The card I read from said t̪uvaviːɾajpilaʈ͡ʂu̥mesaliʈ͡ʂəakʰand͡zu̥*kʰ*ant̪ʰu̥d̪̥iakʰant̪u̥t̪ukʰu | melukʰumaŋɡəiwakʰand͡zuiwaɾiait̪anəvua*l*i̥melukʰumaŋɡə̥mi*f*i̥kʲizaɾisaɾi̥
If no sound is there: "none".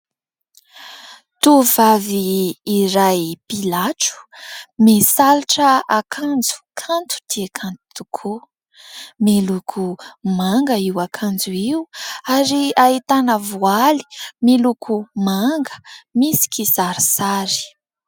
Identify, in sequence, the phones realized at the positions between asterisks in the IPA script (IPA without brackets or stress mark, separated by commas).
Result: kʰ, l, s